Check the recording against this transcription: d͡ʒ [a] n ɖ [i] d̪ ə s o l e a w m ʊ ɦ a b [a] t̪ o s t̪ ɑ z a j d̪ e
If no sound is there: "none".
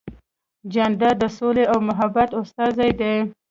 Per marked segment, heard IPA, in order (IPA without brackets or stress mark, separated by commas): a, a, a